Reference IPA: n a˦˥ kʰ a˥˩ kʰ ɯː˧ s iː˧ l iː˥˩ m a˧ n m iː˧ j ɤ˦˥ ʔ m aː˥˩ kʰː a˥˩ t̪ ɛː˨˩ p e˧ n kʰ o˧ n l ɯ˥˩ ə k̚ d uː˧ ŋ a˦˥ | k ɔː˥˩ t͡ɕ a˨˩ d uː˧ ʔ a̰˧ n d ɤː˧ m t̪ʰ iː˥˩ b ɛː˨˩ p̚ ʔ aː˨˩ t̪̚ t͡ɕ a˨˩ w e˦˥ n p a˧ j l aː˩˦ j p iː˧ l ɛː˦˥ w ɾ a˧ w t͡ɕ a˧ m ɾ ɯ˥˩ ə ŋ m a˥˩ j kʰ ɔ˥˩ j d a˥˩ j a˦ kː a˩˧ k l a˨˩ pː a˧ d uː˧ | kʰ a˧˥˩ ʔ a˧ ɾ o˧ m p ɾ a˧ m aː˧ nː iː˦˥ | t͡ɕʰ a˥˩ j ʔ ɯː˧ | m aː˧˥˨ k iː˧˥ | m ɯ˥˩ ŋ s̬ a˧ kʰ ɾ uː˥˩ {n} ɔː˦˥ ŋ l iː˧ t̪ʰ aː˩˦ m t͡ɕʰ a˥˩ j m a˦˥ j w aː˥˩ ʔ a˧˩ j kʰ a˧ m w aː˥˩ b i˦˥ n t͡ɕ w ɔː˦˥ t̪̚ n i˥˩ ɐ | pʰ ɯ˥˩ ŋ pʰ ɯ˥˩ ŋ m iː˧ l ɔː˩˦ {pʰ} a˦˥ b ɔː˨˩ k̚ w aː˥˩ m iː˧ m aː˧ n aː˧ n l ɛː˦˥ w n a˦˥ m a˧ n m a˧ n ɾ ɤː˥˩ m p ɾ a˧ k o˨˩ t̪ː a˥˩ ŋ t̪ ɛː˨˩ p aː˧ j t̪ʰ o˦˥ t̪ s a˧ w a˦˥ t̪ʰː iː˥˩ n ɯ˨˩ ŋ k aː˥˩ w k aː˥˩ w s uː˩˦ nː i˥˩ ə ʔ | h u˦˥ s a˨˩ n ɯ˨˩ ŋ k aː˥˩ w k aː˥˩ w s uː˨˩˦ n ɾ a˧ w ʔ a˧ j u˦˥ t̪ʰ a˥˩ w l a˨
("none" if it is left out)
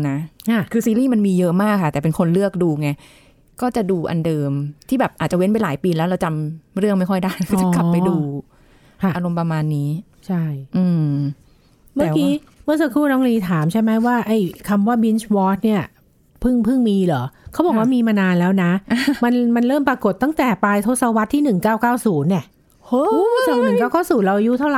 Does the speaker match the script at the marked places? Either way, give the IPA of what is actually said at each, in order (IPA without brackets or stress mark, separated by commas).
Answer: n, kʰ